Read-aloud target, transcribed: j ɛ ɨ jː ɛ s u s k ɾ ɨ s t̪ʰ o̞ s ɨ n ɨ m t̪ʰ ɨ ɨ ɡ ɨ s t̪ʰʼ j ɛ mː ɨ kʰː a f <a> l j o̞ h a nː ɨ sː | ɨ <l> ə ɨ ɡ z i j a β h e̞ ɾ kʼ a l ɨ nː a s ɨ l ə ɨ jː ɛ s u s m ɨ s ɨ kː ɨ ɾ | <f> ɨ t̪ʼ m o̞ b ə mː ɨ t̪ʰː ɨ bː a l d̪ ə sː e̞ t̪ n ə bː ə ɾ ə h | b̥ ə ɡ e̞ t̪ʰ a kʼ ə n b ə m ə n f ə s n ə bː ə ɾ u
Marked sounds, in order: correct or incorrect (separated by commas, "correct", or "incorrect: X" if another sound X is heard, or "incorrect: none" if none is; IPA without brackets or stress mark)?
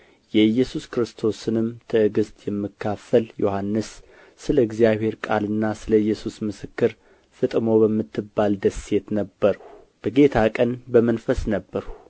incorrect: ə, correct, correct